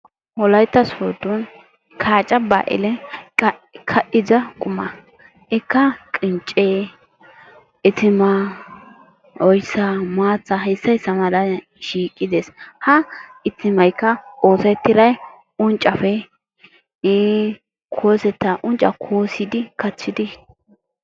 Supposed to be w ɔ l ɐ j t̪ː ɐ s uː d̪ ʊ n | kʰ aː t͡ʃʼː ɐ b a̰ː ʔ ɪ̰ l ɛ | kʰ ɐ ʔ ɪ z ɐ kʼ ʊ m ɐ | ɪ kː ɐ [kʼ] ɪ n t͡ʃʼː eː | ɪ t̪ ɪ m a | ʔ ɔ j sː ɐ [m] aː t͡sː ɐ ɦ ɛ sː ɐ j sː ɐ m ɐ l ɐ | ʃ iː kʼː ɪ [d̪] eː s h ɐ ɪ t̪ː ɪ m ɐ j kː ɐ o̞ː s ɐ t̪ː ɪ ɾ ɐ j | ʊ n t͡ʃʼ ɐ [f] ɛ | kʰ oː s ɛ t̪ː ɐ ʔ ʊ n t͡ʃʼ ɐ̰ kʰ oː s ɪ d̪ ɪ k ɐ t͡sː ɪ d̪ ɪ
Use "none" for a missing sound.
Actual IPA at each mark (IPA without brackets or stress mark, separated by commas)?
kʼ, m, d̪, f